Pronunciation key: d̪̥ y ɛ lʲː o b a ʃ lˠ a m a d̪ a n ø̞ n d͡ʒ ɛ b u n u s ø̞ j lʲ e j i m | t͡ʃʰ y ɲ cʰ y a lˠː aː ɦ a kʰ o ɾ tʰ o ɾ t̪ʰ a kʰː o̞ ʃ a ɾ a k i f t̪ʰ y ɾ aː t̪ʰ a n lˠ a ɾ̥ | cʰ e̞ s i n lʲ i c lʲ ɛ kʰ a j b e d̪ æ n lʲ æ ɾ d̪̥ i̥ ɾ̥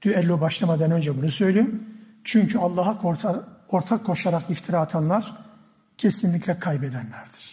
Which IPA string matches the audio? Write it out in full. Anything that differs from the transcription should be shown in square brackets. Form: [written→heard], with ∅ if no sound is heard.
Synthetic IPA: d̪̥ y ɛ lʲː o b a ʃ lˠ a m a d̪ a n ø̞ n d͡ʒ ɛ b u n u s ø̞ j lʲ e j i m | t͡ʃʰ y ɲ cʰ y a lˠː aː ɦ a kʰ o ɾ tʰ o ɾ t̪ʰ a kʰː o̞ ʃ a ɾ a k i f t̪ʰ [y→i] ɾ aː t̪ʰ a n lˠ a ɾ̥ | cʰ e̞ s i n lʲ i c lʲ ɛ kʰ a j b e d̪ æ n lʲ æ ɾ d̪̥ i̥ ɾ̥